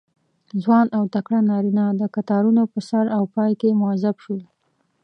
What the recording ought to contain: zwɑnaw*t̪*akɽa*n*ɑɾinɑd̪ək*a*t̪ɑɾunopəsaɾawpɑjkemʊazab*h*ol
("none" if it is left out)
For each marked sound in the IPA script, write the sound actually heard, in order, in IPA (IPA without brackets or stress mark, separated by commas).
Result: t̪, n, a, ʃ